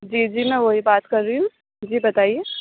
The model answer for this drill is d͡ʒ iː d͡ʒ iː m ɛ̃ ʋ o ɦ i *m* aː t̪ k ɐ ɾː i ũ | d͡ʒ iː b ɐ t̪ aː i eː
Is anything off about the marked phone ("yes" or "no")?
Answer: yes